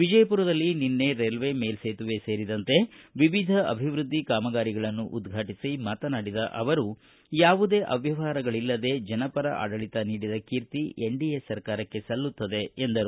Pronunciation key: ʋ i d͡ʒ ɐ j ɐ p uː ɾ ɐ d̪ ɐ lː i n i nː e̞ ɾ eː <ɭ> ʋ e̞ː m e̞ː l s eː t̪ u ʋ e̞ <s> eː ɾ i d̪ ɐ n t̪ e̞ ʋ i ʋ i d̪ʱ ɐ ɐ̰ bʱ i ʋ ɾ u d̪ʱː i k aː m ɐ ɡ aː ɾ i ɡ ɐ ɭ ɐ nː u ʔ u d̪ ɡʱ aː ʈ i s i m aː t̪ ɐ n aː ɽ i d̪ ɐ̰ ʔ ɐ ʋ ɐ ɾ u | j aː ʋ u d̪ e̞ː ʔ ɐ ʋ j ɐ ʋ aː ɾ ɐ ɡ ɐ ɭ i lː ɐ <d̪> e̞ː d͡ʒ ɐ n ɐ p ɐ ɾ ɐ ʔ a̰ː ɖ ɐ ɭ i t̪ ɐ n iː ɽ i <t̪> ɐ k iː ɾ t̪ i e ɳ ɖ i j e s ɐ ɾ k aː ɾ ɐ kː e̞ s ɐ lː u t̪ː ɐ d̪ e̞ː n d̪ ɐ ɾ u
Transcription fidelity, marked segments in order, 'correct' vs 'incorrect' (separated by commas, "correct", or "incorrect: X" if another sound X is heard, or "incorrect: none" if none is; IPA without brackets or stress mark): incorrect: l, correct, correct, incorrect: d̪